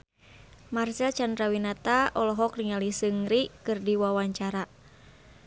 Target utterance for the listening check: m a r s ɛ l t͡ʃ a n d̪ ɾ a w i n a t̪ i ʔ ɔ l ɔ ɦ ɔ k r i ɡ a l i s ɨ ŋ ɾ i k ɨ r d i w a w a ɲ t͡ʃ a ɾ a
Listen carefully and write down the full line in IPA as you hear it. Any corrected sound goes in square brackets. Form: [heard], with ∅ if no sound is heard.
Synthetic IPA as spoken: m a r s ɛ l t͡ʃ a n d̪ ɾ a w i n a t̪ [a] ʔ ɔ l ɔ ɦ ɔ k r i [ŋ] a l i s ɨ ŋ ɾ i k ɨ r d i w a w a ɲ t͡ʃ a ɾ a